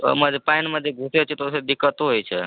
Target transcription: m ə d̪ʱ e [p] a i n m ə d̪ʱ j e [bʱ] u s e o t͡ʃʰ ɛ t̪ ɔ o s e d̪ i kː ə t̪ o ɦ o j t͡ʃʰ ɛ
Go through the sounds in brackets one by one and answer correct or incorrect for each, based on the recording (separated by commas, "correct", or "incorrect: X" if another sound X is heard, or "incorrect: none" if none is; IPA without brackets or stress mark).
correct, incorrect: ɡʱ